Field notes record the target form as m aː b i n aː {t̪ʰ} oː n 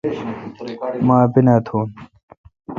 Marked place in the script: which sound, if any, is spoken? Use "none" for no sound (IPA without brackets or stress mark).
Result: t̪ʰ